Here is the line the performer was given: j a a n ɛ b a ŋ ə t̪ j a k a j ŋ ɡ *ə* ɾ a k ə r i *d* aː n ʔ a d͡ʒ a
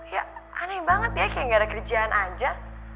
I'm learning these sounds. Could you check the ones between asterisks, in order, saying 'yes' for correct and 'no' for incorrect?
no, no

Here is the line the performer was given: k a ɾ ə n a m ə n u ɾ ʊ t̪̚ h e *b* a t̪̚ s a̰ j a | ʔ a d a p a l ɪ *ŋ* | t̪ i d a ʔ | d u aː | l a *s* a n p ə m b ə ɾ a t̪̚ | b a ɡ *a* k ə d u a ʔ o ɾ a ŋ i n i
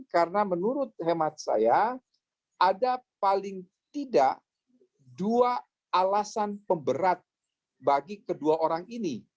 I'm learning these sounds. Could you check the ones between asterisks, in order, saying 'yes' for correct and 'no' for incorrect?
no, yes, yes, no

